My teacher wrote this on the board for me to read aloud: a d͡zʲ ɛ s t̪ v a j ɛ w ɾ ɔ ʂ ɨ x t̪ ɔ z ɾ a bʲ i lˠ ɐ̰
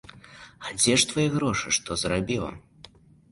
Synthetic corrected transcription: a d͡zʲ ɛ ʂ t̪ v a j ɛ ɣ ɾ ɔ ʂ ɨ ʂ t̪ ɔ z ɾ a bʲ i lˠ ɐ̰